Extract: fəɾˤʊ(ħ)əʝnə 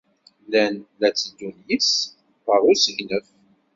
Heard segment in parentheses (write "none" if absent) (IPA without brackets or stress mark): s